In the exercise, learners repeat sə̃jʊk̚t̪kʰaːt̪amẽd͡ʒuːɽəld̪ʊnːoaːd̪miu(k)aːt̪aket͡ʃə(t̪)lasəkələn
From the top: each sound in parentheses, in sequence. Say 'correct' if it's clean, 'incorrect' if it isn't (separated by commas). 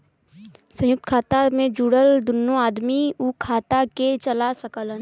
incorrect, incorrect